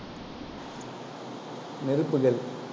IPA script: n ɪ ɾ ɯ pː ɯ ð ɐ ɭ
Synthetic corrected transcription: n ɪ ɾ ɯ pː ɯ ɣ ɐ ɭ